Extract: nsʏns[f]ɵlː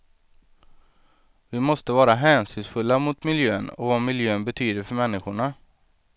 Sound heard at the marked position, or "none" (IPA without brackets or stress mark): f